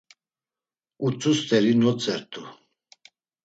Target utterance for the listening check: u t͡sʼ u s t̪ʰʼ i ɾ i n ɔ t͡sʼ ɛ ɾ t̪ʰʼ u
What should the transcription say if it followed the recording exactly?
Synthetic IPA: u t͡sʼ u s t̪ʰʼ ɛ ɾ i n ɔ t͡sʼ ɛ ɾ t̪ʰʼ u

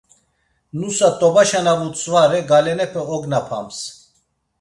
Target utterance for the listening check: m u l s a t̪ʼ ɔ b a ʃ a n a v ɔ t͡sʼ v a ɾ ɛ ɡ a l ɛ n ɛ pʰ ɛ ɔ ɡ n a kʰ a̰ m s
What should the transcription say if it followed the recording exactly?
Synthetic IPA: n u s a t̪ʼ ɔ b a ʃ a n a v u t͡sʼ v a ɾ ɛ ɡ a l ɛ n ɛ pʰ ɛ ɔ ɡ n a pʰ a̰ m s

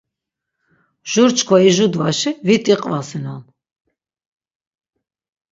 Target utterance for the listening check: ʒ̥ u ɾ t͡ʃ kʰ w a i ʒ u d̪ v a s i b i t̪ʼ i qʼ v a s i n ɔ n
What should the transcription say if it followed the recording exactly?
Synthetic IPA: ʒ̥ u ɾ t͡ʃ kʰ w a i ʒ u d̪ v a ʃ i v i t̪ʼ i qʼ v a s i n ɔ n

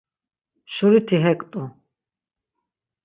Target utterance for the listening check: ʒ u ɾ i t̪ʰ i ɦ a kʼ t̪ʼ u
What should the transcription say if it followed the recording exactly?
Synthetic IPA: ʃ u ɾ i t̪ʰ i ɦ ɛ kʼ t̪ʼ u

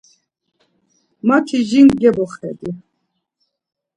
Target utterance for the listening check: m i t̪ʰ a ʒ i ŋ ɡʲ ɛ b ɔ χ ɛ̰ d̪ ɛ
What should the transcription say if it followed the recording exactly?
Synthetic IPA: m a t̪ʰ i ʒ i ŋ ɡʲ ɛ b ɔ χ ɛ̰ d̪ i

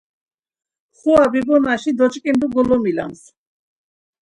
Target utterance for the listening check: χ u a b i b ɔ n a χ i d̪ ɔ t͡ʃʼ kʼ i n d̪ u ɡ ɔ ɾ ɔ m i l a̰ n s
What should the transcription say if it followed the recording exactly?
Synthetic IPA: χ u a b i b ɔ n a ʃ i d̪ ɔ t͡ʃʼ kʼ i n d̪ u ɡ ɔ l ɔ m i l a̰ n s

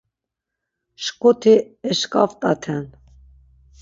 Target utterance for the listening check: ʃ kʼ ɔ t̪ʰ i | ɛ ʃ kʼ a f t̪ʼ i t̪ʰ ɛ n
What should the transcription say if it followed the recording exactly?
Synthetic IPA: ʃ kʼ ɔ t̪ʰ i | ɛ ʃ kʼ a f t̪ʼ a t̪ʰ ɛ n

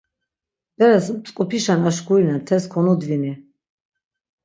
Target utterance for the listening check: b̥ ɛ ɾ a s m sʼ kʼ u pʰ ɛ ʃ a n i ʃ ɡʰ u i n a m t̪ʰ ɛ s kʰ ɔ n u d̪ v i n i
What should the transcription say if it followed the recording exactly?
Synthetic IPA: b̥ ɛ ɾ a s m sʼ kʼ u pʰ i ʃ a n a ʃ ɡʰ u i n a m t̪ʰ ɛ s kʰ ɔ n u d̪ v i n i

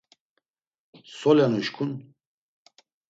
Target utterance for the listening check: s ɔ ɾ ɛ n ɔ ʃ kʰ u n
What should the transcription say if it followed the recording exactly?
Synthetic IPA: s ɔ l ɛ n u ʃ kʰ u n

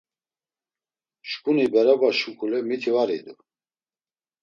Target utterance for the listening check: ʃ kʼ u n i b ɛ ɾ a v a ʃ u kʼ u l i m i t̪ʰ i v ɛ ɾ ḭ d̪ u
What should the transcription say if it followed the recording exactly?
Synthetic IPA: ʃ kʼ u n i b ɛ ɾ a b a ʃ u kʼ u l ɛ m i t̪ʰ i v a ɾ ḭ d̪ u

